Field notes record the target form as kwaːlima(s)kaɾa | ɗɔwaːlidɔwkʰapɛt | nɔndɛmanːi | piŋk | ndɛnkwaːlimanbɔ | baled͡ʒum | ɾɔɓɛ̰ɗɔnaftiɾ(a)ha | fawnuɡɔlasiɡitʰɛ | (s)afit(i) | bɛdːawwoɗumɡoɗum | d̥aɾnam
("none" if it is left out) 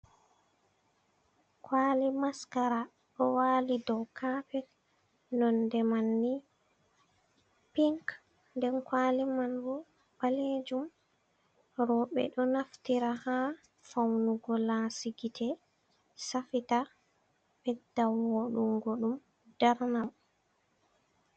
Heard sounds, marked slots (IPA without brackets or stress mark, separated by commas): s, a, s, a